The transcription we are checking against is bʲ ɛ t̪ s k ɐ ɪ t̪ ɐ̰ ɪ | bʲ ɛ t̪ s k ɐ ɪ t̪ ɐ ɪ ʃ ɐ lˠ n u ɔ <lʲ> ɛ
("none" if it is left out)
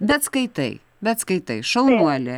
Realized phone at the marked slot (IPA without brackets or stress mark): lʲ